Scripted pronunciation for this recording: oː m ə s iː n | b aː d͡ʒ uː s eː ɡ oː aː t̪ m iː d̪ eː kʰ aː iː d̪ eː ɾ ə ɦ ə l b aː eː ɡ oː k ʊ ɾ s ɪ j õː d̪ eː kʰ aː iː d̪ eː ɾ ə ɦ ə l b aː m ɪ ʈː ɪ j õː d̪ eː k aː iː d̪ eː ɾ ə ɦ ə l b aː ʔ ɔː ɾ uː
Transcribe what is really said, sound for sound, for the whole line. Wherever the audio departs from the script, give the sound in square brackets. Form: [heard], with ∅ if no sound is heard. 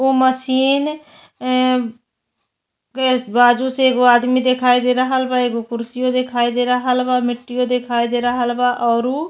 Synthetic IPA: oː m ə s iː n | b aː d͡ʒ uː s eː ɡ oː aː [d̪] m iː d̪ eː kʰ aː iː d̪ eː ɾ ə ɦ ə l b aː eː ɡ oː k ʊ ɾ s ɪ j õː d̪ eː kʰ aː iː d̪ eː ɾ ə ɦ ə l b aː m ɪ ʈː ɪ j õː d̪ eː [kʰ] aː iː d̪ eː ɾ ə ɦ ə l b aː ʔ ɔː ɾ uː